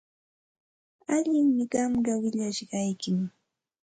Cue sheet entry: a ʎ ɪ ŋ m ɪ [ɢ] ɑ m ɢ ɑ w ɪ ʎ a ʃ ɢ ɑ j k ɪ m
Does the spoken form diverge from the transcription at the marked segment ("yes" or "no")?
no